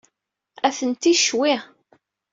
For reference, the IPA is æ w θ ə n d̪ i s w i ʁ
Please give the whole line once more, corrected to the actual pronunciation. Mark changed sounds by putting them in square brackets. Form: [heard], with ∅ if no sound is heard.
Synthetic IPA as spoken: æ [∅] θ ə n [t̪] i [ʃ] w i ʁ

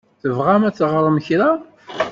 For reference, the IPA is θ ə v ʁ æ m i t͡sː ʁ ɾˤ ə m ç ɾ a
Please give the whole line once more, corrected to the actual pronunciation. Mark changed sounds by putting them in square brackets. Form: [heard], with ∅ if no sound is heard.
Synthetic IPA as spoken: θ ə v ʁ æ m [æ] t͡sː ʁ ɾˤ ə m ç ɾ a

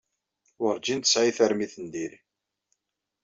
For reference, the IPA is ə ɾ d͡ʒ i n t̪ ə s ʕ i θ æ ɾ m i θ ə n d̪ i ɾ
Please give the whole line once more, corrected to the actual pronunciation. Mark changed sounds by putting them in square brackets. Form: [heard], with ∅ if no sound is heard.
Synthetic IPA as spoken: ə ɾ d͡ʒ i n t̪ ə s ʕ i θ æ ɾ m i θ ə n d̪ i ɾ

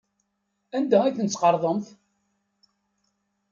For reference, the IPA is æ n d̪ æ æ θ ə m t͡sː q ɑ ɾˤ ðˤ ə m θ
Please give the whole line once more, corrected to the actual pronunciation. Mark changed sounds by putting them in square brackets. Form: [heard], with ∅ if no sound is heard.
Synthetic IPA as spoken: æ n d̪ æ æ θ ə [n] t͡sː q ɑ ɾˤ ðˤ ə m θ

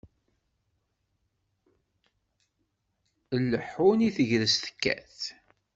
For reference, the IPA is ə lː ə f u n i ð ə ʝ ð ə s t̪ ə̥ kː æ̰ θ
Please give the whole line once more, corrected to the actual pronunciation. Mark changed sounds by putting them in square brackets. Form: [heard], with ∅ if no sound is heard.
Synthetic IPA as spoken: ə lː ə [ħ] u n i [θ] ə ʝ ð ə s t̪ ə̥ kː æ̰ θ

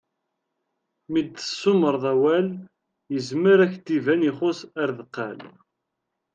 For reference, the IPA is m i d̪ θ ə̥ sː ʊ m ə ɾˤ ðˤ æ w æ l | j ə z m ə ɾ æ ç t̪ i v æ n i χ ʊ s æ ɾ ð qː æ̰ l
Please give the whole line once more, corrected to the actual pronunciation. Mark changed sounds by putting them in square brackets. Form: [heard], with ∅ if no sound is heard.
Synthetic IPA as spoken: m i d̪ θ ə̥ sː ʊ m ə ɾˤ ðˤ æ w æ l | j ə z m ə ɾ æ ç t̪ i v æ n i χ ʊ s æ ɾ ð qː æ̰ l

